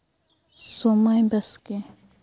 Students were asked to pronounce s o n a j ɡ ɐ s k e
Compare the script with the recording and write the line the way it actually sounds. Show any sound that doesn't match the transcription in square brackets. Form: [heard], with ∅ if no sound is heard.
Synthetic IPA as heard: s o [m] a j [b] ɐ s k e